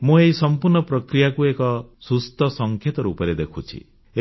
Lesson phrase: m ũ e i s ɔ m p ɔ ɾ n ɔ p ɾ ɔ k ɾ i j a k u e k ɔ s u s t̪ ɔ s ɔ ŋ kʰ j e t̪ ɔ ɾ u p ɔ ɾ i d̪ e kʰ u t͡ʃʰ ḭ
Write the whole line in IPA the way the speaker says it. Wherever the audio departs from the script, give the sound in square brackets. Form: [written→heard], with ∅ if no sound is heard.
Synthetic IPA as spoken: m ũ e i s ɔ m p [ɔ→u] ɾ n ɔ p ɾ ɔ k ɾ i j a k u e k ɔ s u s t̪ ɔ s ɔ ŋ kʰ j e t̪ ɔ ɾ u p ɔ ɾ [i→e] d̪ e kʰ u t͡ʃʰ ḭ

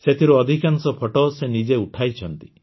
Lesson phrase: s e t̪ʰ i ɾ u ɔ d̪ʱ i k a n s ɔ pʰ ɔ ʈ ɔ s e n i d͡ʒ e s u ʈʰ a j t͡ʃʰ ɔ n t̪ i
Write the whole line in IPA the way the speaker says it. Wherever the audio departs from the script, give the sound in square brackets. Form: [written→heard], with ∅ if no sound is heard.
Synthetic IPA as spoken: s e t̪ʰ i ɾ u ɔ d̪ʱ i k a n s ɔ pʰ ɔ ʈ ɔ s e n i d͡ʒ e [s→∅] u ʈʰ a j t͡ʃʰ ɔ n t̪ i

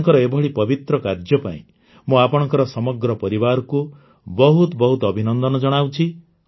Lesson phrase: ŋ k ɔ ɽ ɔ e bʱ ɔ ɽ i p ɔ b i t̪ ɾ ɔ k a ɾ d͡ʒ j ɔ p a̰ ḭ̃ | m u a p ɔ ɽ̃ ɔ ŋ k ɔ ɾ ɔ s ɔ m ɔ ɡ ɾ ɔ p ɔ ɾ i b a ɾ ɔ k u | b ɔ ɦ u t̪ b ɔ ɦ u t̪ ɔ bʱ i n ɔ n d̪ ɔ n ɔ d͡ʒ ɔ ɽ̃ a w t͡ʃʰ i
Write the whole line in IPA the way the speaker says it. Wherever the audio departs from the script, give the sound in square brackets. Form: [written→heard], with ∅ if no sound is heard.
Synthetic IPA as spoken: ŋ k ɔ [ɽ→ɾ] ɔ e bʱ ɔ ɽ i p ɔ b i t̪ ɾ ɔ k a ɾ d͡ʒ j ɔ p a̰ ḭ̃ | m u a p ɔ ɽ̃ ɔ ŋ k ɔ ɾ ɔ s ɔ m ɔ ɡ ɾ ɔ p ɔ ɾ i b a ɾ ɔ k u | b ɔ ɦ u t̪ b ɔ ɦ u t̪ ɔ bʱ i n ɔ n d̪ ɔ n ɔ d͡ʒ ɔ ɽ̃ a w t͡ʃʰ i

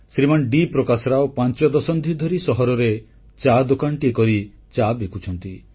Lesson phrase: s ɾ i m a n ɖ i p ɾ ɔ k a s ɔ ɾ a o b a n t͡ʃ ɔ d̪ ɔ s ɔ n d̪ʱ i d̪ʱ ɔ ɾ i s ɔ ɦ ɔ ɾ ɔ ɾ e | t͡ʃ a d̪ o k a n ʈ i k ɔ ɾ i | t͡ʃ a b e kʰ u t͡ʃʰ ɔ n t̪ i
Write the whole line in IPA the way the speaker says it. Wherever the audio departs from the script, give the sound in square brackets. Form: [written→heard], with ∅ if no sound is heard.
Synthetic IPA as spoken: s ɾ i m a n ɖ i p ɾ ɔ k a s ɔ ɾ a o [b→p] a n t͡ʃ ɔ d̪ ɔ s ɔ n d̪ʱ i d̪ʱ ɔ ɾ i s ɔ ɦ ɔ ɾ ɔ ɾ e | t͡ʃ a d̪ o k a n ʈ i k ɔ ɾ i | t͡ʃ a b e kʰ u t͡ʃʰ ɔ n t̪ i

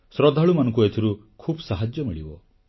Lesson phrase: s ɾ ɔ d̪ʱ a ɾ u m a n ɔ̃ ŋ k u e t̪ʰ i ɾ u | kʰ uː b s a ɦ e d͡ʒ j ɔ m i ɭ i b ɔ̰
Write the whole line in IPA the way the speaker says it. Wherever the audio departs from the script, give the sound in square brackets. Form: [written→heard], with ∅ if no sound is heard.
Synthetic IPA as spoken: s ɾ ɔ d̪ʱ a [ɾ→ɭ] u m a n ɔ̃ ŋ k u e t̪ʰ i ɾ u | kʰ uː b s a ɦ [e→a] d͡ʒ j ɔ m i ɭ i b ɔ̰

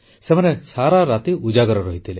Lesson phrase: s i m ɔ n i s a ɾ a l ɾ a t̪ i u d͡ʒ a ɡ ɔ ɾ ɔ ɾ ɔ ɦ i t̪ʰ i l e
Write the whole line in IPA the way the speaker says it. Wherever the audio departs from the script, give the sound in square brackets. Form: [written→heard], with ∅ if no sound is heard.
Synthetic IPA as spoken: s [i→e] m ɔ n [i→e] s a ɾ a [l→∅] ɾ a t̪ i u d͡ʒ a ɡ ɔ ɾ ɔ ɾ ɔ ɦ i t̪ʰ i l e

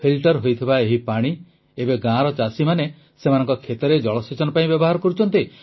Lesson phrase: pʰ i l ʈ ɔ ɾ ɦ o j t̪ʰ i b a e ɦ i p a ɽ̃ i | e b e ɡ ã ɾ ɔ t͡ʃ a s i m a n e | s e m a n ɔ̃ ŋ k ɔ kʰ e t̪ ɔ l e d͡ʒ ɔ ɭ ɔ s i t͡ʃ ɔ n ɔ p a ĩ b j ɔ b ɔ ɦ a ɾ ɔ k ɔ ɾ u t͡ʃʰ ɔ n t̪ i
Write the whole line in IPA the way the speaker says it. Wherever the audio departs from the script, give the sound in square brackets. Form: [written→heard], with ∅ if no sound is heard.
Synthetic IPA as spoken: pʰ i l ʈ ɔ ɾ ɦ o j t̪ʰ i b a e ɦ i p a ɽ̃ i | e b e ɡ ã ɾ ɔ t͡ʃ a s i m a n e | s e m a n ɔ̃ ŋ k ɔ kʰ e t̪ ɔ [l→ɾ] e d͡ʒ ɔ ɭ ɔ s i t͡ʃ ɔ n ɔ p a ĩ b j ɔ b ɔ ɦ a ɾ ɔ k ɔ ɾ u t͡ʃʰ ɔ n t̪ i

